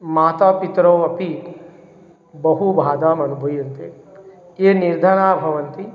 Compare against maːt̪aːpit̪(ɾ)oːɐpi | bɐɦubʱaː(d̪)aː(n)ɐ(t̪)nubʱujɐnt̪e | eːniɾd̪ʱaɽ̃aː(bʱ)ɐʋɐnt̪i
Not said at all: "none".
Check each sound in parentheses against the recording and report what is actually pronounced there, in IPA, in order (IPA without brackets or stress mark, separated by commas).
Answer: ɾ, d̪, m, none, bʱ